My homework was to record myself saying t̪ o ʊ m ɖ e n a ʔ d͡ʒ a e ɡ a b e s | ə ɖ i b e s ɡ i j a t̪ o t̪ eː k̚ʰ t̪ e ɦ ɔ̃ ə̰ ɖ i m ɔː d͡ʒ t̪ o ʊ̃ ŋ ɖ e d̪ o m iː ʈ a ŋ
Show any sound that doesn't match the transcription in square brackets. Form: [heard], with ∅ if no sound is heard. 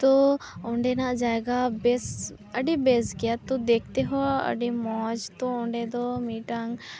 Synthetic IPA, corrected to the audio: t̪ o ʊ [ɳ] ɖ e n a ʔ d͡ʒ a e ɡ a b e s | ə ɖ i b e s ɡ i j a t̪ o [d̪] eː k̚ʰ t̪ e ɦ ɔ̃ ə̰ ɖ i m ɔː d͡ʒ t̪ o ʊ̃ [ɳ] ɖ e d̪ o m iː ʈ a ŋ